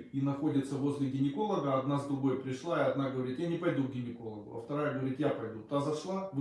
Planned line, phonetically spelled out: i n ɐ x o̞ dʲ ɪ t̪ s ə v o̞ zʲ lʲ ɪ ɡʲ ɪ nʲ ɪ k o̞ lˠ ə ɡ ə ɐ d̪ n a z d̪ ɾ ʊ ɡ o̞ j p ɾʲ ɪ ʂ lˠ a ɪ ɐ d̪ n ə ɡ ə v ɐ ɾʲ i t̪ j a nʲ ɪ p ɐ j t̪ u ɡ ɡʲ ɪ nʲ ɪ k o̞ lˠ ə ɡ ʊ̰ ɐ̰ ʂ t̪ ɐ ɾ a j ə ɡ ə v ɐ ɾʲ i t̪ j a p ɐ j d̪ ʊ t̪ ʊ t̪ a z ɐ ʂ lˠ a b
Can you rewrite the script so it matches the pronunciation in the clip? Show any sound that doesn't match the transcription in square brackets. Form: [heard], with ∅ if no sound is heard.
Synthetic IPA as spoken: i n ɐ x o̞ dʲ ɪ t̪ s ə v o̞ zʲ lʲ ɪ ɡʲ ɪ nʲ ɪ k o̞ lˠ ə ɡ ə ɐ d̪ n a z d̪ ɾ ʊ ɡ o̞ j p ɾʲ ɪ ʂ lˠ a ɪ ɐ d̪ n [a] ɡ ə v ɐ ɾʲ i t̪ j a nʲ ɪ p ɐ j [d̪] u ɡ ɡʲ ɪ nʲ ɪ k o̞ lˠ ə ɡ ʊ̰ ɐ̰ [f] t̪ ɐ ɾ a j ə ɡ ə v ɐ ɾʲ i t̪ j a p ɐ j d̪ [u] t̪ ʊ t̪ a z ɐ ʂ lˠ a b